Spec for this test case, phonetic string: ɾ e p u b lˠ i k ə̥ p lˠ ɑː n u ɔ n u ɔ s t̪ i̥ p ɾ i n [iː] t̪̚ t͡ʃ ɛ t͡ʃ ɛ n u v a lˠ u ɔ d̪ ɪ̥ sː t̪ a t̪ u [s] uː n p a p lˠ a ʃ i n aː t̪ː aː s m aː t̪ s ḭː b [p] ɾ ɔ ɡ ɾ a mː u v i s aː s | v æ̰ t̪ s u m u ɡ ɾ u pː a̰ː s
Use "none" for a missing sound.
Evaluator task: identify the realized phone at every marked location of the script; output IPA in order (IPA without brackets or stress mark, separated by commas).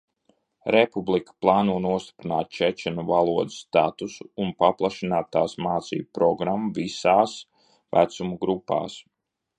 aː, s, p